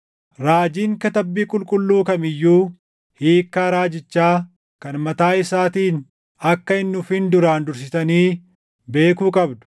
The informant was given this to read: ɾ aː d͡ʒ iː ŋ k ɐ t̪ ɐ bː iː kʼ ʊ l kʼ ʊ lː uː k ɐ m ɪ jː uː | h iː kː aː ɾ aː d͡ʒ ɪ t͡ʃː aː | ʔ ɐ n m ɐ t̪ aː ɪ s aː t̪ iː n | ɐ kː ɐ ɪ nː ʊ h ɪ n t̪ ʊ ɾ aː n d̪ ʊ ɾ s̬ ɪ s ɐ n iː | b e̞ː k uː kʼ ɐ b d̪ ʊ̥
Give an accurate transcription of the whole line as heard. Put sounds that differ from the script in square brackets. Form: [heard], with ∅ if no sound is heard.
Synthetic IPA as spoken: ɾ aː d͡ʒ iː ŋ k ɐ t̪ ɐ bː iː kʼ ʊ l kʼ ʊ lː uː k ɐ m ɪ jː uː | h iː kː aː ɾ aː d͡ʒ ɪ t͡ʃː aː | [k] ɐ n m ɐ t̪ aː ɪ s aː t̪ iː n | ɐ kː ɐ ɪ nː ʊ [f] ɪ n [d̪] ʊ ɾ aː n d̪ ʊ ɾ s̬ ɪ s ɐ n iː | b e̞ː k uː kʼ ɐ b d̪ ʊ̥